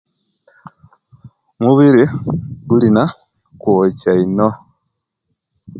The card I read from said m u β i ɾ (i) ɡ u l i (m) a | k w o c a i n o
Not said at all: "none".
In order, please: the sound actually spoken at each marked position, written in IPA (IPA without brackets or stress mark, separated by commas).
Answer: i, n